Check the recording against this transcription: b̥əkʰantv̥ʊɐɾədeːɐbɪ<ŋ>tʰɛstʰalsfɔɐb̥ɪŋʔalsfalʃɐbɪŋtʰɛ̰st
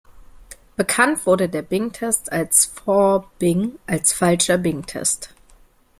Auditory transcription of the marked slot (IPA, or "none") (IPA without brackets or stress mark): ŋ